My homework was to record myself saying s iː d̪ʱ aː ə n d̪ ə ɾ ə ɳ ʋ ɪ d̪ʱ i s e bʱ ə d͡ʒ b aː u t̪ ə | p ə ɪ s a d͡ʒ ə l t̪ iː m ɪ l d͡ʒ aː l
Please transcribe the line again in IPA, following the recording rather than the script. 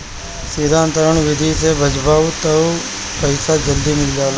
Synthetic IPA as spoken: s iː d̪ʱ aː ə n t̪ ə ɾ ə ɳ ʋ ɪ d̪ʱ i s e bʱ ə d͡ʒ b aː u t̪ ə | p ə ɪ s a d͡ʒ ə l d̪ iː m ɪ l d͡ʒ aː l